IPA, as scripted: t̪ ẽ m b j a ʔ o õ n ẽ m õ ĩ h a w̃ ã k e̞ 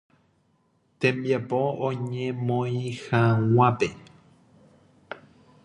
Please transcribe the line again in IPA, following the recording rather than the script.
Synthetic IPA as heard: t̪ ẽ m b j a p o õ ɲ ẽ m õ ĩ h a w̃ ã p e̞